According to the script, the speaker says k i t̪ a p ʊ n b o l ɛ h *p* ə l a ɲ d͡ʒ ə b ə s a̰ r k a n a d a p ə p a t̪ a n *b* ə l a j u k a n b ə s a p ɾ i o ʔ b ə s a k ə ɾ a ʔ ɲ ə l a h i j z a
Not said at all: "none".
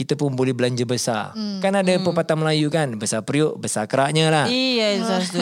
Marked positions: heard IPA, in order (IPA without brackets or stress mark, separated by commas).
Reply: b, m